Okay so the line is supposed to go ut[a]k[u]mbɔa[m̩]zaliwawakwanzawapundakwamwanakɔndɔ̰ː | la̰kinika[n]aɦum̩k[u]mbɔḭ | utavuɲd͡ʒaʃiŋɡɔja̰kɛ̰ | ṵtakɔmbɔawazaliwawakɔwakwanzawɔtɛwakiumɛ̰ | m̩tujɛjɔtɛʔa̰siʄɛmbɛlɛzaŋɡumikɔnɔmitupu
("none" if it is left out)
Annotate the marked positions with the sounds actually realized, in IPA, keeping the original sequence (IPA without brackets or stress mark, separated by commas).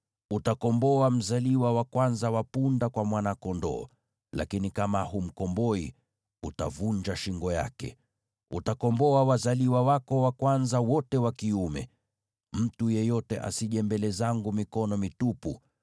a, ɔ, m̩, m, ɔ